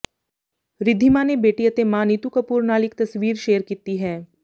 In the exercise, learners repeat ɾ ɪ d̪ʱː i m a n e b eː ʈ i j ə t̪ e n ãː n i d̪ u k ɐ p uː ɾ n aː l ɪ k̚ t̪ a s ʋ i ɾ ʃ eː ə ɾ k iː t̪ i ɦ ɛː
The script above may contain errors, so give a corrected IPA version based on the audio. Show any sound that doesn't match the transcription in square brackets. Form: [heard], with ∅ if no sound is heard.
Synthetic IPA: ɾ ɪ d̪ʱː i m a n e b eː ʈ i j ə t̪ e [m] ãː n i [t̪] u k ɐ p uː ɾ n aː l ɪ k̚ t̪ [ɐ] s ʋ [iː] ɾ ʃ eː ə ɾ k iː t̪ i ɦ ɛː